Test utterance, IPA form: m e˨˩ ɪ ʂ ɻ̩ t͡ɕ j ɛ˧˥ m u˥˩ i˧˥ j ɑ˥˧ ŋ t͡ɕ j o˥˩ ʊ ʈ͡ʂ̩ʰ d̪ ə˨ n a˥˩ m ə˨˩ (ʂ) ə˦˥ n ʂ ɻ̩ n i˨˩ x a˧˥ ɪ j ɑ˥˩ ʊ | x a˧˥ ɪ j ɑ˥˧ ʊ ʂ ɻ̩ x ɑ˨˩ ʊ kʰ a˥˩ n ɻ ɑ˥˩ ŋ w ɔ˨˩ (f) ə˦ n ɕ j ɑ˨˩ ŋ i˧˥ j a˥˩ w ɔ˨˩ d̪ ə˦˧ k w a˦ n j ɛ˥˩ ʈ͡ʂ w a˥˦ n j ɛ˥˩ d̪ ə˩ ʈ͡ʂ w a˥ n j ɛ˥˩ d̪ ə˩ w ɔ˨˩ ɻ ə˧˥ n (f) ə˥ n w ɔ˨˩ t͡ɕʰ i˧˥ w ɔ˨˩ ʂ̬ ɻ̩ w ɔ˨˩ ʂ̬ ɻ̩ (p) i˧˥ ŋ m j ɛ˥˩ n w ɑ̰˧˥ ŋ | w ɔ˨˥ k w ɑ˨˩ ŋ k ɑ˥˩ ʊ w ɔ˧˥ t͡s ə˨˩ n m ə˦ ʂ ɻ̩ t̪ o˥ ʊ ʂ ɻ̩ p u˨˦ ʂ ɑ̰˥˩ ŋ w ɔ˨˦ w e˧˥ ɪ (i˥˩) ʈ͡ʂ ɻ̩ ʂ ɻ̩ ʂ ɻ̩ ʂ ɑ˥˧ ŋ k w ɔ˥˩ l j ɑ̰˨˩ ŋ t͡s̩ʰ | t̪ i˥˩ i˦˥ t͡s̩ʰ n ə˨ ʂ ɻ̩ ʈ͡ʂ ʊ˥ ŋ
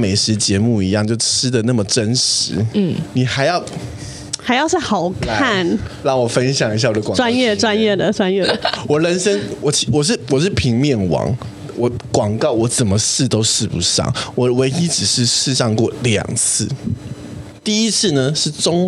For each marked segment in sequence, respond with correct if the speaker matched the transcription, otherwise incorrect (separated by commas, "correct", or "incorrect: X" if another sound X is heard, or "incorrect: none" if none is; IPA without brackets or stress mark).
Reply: incorrect: ʈ͡ʂ, correct, incorrect: ʂ, incorrect: pʰ, incorrect: i˥